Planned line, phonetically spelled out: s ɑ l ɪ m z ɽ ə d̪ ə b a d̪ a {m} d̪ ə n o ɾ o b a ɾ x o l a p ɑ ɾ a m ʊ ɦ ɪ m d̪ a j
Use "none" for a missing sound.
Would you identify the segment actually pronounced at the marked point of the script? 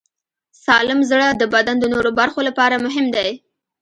n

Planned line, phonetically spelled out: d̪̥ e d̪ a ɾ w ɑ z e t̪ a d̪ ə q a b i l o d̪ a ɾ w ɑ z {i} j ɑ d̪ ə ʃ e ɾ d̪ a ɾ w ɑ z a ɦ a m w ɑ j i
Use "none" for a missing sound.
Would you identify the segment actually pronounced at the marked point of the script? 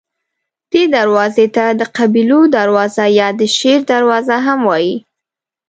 a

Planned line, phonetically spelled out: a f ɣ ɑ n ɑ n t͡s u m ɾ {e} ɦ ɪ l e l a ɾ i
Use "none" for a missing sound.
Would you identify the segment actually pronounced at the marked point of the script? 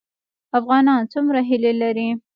a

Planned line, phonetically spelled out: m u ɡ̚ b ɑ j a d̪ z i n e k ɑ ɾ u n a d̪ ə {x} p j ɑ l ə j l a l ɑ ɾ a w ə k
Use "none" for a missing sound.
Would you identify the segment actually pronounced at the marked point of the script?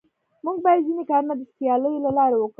s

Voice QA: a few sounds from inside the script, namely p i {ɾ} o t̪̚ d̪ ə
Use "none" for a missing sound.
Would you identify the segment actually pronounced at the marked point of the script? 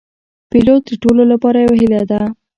l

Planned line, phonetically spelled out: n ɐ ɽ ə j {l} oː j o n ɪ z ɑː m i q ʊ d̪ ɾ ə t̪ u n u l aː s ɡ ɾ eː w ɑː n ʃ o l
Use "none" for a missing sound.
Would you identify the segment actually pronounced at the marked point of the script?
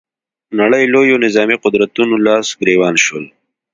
l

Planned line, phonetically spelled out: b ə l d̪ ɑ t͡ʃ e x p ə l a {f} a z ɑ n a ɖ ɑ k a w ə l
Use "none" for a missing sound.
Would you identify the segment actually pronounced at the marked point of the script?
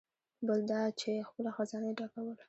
x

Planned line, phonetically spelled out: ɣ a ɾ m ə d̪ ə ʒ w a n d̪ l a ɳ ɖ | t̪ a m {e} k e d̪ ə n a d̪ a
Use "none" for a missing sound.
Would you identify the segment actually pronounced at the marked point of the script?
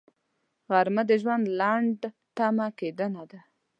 a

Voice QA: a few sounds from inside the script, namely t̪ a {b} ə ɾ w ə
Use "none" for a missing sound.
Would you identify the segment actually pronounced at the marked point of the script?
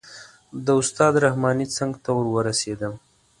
w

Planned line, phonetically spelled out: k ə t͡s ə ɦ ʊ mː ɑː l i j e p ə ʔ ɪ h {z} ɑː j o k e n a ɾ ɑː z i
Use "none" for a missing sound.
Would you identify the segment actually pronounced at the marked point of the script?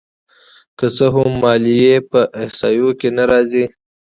s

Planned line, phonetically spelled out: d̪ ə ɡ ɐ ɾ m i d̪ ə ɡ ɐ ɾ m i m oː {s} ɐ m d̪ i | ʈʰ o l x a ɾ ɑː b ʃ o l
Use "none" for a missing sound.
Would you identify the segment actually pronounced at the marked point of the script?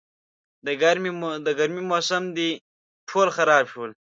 s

